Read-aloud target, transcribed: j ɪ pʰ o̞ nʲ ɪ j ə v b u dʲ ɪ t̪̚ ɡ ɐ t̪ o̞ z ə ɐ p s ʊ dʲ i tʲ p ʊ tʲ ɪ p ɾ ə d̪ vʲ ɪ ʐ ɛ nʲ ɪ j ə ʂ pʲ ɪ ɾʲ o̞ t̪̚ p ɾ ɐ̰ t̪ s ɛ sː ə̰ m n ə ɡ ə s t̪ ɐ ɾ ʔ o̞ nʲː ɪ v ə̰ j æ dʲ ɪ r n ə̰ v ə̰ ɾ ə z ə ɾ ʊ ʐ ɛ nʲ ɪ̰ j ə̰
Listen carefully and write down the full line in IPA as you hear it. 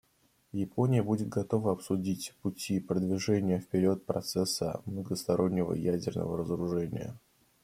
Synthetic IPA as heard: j ɪ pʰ o̞ nʲ ɪ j ə b u dʲ ɪ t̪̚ ɡ ɐ t̪ o̞ v ə ɐ p s ʊ dʲ i tʲ p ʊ tʲ i p ɾ ə d̪ vʲ ɪ ʐ ɛ nʲ ɪ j ə f pʲ ɪ ɾʲ o̞ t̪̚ p ɾ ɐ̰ t̪ s ɛ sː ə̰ m n ə ɡ ə s t̪ ɐ ɾ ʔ o̞ nʲː ɪ v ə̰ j æ dʲ ɪ r n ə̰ v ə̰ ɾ ə z ə ɾ ʊ ʐ ɛ nʲ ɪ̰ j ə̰

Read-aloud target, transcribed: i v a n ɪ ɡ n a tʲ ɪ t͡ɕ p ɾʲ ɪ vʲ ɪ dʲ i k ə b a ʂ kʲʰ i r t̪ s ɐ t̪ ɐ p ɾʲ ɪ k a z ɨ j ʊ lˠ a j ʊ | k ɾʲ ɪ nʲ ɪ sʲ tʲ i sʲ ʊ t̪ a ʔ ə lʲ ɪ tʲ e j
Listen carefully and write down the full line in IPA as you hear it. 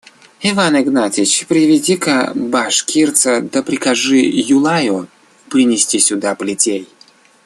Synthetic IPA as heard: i v a n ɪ ɡ n a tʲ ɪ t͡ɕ p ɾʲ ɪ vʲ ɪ dʲ i k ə b a ʂ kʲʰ i r t̪ s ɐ d̪ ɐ p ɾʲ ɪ k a ʐ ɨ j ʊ lˠ a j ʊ | p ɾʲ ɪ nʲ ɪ sʲ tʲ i sʲ ʊ d̪ a p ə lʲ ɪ tʲ e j

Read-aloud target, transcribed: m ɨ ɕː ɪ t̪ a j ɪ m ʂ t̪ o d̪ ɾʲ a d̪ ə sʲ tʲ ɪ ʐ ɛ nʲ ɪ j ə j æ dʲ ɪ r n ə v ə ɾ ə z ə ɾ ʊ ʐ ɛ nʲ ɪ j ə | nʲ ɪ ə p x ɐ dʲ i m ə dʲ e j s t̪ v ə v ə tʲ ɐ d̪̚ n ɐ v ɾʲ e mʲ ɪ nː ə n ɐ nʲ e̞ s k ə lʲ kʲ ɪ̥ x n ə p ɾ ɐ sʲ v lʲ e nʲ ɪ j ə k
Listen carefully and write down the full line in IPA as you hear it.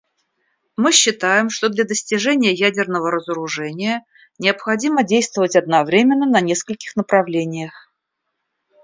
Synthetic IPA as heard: m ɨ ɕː ɪ t̪ a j ɪ m ʂ t̪ o d̪ lʲ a d̪ ə sʲ tʲ ɪ ʐ ɛ nʲ ɪ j ə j æ dʲ ɪ r n ə v ə ɾ ə z ə ɾ ʊ ʐ ɛ nʲ ɪ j ə | nʲ ɪ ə p x ɐ dʲ i m ə dʲ e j s t̪ v ə v ə tʲ ɐ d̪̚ n ɐ v ɾʲ e mʲ ɪ nː ə n ɐ nʲ e̞ s k ə lʲ kʲ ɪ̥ x n ə p ɾ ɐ v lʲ e nʲ ɪ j ə x

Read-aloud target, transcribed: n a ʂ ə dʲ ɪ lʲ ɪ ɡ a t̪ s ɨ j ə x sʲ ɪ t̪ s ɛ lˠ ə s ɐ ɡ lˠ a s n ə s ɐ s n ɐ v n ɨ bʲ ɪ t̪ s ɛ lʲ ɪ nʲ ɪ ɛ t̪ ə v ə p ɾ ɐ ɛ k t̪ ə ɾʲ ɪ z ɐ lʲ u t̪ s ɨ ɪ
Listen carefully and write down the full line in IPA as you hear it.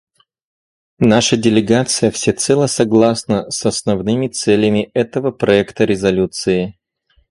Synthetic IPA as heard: n a ʂ ə dʲ ɪ lʲ ɪ ɡ a t̪ s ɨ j ə f sʲ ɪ t̪ s ɛ lˠ ə s ɐ ɡ lˠ a s n ə s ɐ s n ɐ v n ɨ mʲ ɪ t̪ s ɛ lʲ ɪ mʲ ɪ ɛ t̪ ə v ə p ɾ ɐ ɛ k t̪ ə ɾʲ ɪ z ɐ lʲ u t̪ s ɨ ɪ

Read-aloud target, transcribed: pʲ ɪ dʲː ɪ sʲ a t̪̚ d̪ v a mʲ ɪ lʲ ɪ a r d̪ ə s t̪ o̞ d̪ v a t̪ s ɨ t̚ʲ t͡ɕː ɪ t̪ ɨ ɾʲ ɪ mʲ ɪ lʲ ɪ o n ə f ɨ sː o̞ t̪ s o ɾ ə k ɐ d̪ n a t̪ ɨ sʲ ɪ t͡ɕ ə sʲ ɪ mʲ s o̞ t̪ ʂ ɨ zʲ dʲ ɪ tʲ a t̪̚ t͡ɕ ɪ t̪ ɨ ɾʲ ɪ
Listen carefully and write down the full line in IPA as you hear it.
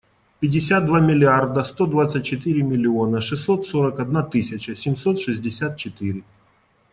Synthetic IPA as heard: pʲ ɪ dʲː ɪ sʲ a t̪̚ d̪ v a mʲ ɪ lʲ ɪ a r d̪ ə s t̪ o̞ d̪ v a t̪ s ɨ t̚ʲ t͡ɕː ɪ t̪ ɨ ɾʲ ɪ mʲ ɪ lʲ ɪ o n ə ʂ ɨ sː o̞ t̪ s o ɾ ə k ɐ d̪ n a t̪ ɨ sʲ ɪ t͡ɕ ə sʲ ɪ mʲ s o̞ t̪ ʂ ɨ zʲ dʲ ɪ sʲ a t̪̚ t͡ɕ ɪ t̪ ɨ ɾʲ ɪ

